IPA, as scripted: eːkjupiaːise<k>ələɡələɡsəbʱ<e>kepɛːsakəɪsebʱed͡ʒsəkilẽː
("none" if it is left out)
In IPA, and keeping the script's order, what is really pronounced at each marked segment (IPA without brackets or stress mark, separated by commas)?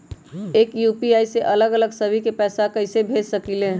ʔ, i